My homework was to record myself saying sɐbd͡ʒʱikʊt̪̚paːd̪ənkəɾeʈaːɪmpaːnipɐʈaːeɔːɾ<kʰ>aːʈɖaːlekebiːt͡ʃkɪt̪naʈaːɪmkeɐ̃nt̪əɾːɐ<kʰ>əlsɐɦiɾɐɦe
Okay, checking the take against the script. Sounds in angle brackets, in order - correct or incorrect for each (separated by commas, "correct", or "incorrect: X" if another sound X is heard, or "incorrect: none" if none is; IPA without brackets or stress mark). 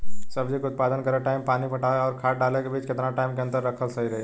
correct, correct